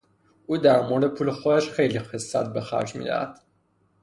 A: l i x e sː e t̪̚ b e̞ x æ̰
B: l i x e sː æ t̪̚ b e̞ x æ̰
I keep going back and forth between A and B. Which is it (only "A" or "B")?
B